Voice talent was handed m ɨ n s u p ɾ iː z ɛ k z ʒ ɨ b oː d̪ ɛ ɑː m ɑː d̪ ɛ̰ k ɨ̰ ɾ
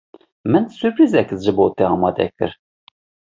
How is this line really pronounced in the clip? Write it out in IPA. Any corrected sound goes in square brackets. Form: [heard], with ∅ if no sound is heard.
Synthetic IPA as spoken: m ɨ n s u p ɾ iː z ɛ k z ʒ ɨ b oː [t̪] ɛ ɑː m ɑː d̪ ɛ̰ k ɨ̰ ɾ